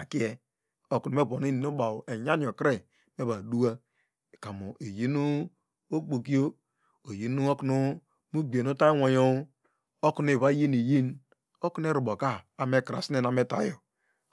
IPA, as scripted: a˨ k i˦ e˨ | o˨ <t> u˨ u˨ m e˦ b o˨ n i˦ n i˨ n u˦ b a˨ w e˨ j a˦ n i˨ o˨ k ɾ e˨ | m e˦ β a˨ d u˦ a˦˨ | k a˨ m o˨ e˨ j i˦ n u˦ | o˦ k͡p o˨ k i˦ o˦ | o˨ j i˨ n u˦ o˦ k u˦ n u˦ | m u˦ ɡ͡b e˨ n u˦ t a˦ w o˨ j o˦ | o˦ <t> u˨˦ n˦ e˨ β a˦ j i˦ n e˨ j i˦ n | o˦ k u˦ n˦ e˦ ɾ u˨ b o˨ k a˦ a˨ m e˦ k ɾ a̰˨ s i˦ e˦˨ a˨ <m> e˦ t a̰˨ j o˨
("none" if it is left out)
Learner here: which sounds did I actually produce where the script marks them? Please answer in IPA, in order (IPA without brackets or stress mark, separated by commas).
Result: k, k, m